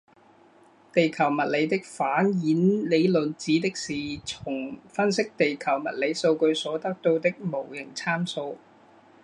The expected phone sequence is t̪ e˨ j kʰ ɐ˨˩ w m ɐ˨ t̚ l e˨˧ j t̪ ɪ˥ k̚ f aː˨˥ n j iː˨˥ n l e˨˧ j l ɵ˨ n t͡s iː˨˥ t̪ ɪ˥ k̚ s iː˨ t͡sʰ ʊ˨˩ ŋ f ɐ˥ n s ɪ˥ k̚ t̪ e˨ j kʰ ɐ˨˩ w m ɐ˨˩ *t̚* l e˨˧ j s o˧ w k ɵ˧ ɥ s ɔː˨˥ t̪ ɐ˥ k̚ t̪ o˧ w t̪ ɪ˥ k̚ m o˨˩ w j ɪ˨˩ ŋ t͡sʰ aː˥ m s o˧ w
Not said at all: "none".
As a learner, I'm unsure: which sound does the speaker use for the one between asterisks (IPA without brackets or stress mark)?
t̚